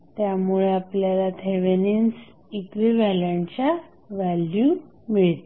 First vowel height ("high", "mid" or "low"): low